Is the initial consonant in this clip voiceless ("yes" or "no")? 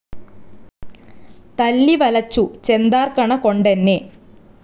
yes